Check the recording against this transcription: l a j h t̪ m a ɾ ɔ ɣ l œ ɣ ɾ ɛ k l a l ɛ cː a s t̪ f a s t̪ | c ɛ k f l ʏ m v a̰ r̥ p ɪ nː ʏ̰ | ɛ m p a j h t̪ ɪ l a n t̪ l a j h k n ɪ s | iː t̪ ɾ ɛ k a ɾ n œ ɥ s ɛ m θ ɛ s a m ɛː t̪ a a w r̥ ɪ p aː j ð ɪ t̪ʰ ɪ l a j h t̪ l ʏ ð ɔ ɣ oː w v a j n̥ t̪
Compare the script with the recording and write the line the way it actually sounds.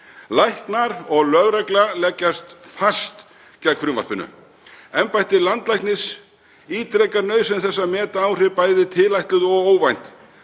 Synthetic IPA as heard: l a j h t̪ n a ɾ ɔ ɣ l œ ɣ ɾ ɛ k l a l ɛ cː a s t̪ f a s t̪ | c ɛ k f ɾ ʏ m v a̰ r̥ p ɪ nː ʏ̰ | ɛ m p a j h t̪ ɪ l a n t̪ l a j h k n ɪ s | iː t̪ ɾ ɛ k a ɾ n œ ɥ s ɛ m θ ɛ sː a m ɛː t̪ a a w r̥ ɪ p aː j ð ɪ t̪ʰ ɪ l a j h t̪ l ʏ ð ɔ ɣ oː w v a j n̥ t̪

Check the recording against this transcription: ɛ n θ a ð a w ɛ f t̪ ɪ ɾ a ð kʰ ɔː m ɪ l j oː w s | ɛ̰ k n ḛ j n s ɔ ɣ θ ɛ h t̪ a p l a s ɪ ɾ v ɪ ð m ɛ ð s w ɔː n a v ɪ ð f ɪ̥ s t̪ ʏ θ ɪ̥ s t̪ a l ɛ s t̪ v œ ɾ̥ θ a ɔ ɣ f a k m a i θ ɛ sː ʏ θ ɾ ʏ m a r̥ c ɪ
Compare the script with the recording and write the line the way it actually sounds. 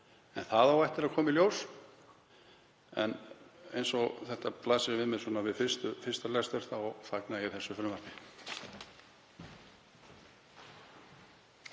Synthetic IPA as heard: ɛ n θ a ð a w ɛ h t̪ ɪ ɾ a ð kʰ ɔː m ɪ l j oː w s | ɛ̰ n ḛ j n s ɔ ɣ θ ɛ h t̪ a p l a s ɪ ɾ v ɪ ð m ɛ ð s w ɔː n a v ɪ ð f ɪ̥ s t̪ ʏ f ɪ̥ s t̪ a l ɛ s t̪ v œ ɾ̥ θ a ɔ ɣ f a k n a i θ ɛ sː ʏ f ɾ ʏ m a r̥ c ɪ

